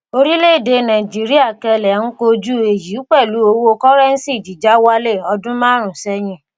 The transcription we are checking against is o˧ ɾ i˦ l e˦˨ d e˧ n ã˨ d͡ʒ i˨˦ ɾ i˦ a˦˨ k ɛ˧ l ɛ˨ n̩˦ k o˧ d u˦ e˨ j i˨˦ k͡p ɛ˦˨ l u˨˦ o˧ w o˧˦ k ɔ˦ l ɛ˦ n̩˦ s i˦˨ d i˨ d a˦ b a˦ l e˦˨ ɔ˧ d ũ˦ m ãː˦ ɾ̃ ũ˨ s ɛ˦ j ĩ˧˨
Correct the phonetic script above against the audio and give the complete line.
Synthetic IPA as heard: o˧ ɾ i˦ l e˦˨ d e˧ n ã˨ d͡ʒ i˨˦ ɾ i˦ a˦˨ k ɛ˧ l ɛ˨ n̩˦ k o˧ d͡ʒ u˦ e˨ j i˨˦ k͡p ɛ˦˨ l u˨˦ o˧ w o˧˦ k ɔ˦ ɾ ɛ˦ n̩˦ s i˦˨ d͡ʒ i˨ d͡ʒ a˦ w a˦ l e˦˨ ɔ˧ d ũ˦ m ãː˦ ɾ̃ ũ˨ s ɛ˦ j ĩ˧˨